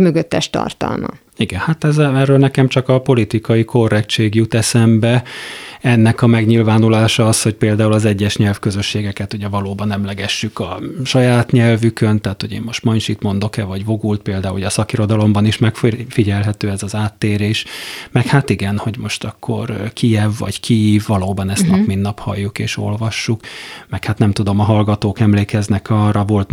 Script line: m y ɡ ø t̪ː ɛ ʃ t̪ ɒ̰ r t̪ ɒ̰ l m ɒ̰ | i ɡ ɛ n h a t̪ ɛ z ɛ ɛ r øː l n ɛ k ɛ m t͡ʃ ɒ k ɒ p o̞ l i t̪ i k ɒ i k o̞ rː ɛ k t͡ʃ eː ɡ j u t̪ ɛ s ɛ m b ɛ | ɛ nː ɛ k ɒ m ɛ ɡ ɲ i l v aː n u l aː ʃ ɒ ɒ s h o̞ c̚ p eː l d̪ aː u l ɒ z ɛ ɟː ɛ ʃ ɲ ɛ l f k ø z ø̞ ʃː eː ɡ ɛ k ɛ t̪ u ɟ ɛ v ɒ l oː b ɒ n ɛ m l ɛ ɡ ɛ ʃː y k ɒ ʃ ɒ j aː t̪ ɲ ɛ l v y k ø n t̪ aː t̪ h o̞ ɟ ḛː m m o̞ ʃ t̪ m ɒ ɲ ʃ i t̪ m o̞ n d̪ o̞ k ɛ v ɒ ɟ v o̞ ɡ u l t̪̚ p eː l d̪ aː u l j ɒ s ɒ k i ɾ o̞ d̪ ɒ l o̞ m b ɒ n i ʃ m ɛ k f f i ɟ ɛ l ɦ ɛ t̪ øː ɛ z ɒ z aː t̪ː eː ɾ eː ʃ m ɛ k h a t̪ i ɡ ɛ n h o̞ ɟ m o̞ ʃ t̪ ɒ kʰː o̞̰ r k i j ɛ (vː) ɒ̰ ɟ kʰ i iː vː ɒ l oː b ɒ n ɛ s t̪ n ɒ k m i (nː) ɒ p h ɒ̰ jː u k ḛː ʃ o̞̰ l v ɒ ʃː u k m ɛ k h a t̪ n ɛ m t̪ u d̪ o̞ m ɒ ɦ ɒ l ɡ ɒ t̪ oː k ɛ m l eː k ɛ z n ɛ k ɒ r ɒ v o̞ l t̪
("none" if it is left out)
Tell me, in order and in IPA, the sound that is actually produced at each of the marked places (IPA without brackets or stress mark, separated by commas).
vː, nː